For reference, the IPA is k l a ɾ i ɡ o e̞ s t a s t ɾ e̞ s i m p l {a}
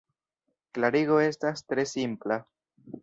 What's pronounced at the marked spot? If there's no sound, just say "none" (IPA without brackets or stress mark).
a